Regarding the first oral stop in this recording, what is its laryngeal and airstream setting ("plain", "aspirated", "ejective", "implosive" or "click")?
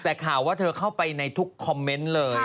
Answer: plain